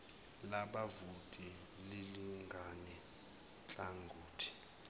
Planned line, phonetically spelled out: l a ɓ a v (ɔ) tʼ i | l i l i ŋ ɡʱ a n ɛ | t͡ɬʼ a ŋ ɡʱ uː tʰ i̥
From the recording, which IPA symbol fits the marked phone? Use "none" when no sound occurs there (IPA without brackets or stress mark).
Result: u